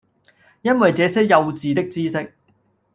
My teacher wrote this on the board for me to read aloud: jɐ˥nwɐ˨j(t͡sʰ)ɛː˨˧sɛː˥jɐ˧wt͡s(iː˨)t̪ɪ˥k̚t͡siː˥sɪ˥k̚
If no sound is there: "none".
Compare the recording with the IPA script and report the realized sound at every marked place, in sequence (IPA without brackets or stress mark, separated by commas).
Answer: t͡s, iː˨